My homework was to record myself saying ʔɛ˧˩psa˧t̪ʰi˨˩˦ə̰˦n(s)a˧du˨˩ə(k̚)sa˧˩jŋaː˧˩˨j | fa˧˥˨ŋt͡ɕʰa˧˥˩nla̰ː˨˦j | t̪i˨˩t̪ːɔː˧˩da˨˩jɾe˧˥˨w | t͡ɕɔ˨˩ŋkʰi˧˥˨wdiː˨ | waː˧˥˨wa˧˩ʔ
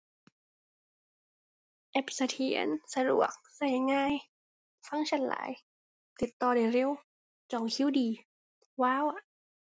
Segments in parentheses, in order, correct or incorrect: correct, correct

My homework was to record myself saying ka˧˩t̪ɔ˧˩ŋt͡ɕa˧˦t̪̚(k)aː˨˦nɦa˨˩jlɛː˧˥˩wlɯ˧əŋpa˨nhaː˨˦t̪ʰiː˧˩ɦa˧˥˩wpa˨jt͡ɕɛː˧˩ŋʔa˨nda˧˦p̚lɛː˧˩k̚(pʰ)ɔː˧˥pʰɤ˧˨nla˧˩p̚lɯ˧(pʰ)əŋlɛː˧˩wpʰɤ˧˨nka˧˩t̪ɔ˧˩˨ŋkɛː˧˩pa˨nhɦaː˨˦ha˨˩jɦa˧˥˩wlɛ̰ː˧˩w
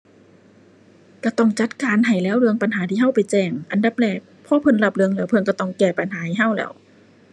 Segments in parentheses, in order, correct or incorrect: correct, correct, incorrect: none

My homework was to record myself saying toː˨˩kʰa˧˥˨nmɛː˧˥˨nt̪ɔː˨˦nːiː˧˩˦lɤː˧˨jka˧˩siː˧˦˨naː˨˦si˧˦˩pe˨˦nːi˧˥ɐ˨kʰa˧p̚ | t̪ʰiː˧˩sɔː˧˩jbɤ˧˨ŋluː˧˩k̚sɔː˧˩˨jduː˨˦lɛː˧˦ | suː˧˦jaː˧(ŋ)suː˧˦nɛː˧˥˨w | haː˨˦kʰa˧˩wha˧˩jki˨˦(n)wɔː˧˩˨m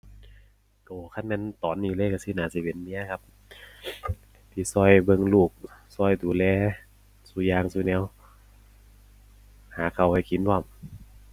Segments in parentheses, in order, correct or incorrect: correct, correct

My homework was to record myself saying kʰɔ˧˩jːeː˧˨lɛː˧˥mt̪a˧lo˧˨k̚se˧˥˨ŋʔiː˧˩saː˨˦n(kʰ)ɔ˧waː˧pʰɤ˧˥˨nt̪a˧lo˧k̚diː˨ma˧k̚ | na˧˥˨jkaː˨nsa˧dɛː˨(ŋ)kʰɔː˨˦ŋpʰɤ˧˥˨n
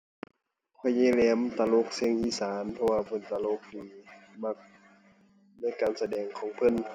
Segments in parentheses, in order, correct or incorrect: incorrect: pʰ, correct

